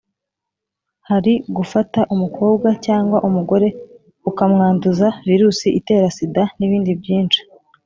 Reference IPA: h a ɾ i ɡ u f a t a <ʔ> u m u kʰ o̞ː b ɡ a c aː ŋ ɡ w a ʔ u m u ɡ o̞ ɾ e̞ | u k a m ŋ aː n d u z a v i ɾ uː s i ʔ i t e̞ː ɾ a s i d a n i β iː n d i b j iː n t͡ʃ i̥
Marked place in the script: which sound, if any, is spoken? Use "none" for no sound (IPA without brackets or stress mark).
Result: ʔ